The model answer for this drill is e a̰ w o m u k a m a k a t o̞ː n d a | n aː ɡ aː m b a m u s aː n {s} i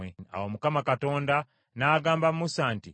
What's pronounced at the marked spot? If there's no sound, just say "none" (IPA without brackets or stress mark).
t